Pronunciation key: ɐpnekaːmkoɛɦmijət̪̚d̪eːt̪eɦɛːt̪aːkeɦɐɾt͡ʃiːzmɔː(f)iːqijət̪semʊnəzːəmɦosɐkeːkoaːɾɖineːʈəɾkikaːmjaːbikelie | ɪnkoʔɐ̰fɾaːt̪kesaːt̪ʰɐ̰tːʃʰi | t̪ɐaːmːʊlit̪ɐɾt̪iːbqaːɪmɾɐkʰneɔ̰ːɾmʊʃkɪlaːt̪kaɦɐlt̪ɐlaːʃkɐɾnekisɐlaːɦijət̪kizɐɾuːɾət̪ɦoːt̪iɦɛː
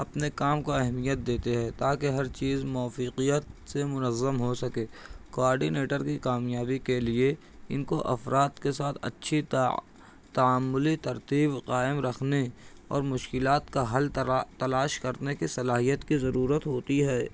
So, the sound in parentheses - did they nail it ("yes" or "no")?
yes